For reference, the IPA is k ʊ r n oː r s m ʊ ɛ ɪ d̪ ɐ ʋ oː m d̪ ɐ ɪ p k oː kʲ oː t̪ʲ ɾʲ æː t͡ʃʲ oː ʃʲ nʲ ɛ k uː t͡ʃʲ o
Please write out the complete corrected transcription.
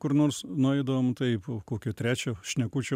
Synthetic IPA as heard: k ʊ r n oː r s n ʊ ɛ ɪ d̪ ɐ ʋ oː m t̪ ɐ ɪ p k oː kʲ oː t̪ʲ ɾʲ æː t͡ʃʲ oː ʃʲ nʲ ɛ k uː t͡ʃʲ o